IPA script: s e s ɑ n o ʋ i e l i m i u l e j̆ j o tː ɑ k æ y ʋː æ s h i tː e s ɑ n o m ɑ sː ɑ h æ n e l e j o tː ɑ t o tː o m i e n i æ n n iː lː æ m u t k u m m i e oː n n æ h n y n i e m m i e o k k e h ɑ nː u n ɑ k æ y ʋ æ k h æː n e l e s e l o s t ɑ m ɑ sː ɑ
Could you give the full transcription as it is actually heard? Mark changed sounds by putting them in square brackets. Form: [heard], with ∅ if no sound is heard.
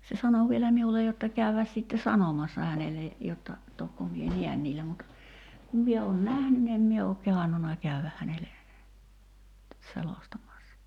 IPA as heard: s e s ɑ n o ʋ i e l [æ] m i u l e j̆ j o tː ɑ k æ y [ʋ] æ s [s] i tː e s ɑ n o m ɑ sː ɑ h æ n e l e j o tː ɑ t o [kː] o m i e n i æ n n iː lː æ m u t k u m m i e oː n n æ h n y n i e m m i e o k k e h ɑ nː u n ɑ k æ y ʋ æ k h [æ] n e l e s e l o s t ɑ m ɑ sː ɑ